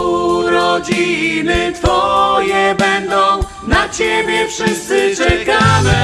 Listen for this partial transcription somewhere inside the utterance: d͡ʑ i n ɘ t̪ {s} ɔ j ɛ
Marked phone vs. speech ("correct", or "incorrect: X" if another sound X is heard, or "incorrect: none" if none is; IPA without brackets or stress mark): incorrect: f